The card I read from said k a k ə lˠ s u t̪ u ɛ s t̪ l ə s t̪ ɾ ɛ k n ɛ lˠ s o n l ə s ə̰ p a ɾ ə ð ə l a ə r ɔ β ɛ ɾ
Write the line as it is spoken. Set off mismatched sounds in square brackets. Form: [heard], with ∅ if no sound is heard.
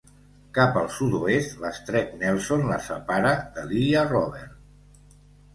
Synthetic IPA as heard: k a [p] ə lˠ s u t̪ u [e] s t̪ l ə s t̪ ɾ ɛ k n ɛ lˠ s o n l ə s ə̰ p a ɾ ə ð ə l [i] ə r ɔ β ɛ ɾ